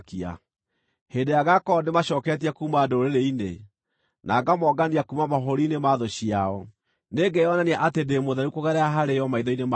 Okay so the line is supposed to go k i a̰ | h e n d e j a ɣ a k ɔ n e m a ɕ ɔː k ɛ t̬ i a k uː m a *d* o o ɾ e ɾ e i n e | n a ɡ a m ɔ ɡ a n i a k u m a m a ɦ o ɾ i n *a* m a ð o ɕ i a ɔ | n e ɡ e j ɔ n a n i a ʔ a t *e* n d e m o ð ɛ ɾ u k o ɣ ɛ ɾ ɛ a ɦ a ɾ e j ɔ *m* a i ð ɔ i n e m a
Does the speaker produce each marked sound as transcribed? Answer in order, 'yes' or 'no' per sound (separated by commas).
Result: yes, no, yes, yes